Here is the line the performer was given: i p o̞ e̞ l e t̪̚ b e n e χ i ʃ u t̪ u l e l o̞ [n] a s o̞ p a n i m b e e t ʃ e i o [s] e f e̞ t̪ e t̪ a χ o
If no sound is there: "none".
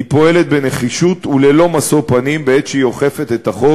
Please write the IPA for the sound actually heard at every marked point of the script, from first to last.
m, χ

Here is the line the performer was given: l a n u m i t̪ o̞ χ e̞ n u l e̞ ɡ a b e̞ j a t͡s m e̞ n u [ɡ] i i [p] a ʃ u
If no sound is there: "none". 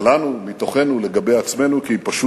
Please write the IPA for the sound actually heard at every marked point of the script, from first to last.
k, p

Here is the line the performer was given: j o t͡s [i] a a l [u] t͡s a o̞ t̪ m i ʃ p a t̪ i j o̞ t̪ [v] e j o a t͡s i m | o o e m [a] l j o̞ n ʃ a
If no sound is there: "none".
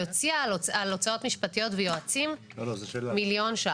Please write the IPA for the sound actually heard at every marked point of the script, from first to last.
i, o, v, i

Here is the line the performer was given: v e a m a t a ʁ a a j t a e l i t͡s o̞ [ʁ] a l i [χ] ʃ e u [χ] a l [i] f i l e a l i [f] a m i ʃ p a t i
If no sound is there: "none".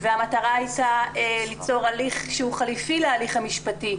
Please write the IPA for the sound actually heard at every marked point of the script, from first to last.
ʁ, χ, χ, i, χ

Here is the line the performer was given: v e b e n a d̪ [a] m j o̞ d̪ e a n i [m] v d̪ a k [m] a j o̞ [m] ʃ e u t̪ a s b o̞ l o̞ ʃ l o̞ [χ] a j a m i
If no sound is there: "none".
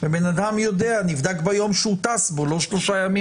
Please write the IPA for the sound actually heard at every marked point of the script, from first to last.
a, none, b, m, ʃ

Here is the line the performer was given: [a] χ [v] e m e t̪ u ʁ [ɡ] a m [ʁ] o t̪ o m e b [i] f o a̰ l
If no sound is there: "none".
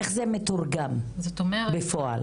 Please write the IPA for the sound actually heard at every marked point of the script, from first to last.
e, z, ɡ, z, e

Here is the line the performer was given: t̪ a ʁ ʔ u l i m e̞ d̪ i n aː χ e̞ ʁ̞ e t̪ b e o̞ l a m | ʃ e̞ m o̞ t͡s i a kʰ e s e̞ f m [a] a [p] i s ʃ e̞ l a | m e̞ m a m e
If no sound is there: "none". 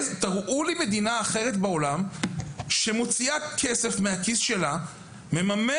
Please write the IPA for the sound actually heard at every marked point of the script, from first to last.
e, k

